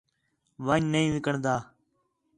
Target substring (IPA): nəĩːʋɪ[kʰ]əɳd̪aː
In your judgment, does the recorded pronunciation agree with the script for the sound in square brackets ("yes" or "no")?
no